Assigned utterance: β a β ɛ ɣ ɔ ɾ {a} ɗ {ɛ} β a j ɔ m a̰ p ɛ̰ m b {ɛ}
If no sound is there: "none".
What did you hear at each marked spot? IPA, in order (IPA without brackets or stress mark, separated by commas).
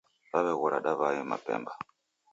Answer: a, a, a